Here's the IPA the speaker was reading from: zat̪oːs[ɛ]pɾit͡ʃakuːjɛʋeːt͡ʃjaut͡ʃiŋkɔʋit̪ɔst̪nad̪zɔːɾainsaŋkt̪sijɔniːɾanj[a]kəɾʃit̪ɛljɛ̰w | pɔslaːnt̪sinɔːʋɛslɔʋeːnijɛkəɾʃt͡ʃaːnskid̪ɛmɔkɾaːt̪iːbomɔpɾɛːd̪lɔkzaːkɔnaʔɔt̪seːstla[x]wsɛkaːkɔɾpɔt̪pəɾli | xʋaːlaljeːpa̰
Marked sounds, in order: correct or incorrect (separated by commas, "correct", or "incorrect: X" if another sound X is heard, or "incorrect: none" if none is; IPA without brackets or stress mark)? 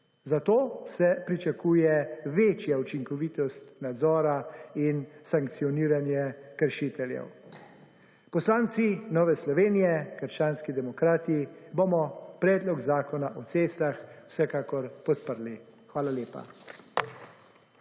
correct, incorrect: ɛ, correct